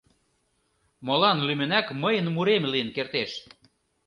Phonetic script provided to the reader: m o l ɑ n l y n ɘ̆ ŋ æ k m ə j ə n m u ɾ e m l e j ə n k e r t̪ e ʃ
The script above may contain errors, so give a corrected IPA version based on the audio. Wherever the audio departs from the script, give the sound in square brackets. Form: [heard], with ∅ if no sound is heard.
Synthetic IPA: m o l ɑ n l y [m] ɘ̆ [n] æ k m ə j ə n m u ɾ e m l [i] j ə n k e r t̪ e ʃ